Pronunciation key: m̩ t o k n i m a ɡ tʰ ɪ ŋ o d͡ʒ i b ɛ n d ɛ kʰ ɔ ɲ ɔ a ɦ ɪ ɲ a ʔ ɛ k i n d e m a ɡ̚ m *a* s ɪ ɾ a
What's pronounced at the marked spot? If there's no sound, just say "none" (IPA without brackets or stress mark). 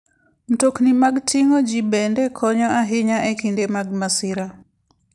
a